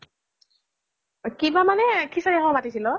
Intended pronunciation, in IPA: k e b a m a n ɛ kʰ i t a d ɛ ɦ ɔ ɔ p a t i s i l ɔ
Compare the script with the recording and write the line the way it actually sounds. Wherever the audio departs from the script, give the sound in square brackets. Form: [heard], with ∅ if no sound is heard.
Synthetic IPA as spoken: k [i] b a m a n ɛ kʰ i [s] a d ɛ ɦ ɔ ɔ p a t i s i l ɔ

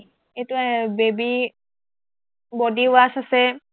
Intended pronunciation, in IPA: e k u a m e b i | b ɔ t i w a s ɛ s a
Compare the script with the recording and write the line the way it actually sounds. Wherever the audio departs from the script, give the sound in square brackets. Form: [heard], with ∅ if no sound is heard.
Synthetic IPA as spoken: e [t] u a [b] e b i | b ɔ [d] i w a s [a] s [ɛ]

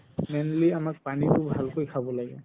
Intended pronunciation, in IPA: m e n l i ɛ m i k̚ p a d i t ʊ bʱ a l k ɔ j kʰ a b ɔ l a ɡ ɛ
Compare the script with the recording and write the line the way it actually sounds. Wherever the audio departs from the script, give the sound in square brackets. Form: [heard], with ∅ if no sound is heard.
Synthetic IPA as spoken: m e n l i [a] m [a] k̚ p a [n] i t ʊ bʱ a l k [o] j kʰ a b ɔ l a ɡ ɛ

